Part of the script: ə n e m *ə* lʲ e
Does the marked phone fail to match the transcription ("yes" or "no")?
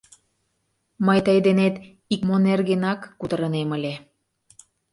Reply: no